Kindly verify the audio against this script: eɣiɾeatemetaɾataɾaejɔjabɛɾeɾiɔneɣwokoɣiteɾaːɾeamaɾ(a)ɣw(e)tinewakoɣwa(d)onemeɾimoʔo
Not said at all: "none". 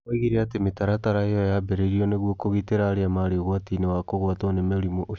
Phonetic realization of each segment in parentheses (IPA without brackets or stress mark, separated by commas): e, a, t